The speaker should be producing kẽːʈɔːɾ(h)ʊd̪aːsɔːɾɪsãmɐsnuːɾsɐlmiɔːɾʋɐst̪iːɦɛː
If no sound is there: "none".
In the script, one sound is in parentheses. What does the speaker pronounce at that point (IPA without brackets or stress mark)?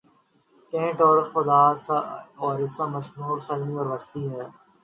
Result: x